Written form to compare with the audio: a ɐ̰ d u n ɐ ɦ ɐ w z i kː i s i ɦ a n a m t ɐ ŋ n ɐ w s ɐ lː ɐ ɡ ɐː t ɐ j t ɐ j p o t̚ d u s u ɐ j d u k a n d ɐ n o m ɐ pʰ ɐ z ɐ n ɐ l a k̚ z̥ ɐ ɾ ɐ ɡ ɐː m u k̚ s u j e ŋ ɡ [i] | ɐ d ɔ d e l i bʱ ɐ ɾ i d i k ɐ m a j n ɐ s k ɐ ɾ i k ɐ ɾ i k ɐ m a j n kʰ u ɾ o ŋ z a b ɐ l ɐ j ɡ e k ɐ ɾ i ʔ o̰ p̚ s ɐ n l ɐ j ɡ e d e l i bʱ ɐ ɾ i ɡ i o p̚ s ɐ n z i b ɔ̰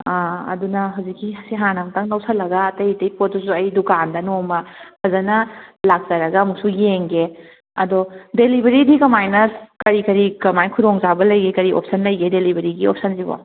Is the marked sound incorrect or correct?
incorrect